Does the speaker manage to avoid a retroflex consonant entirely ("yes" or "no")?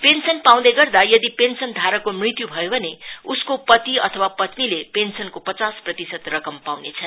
yes